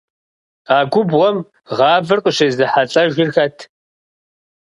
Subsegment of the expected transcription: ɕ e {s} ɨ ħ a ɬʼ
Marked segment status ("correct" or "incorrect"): incorrect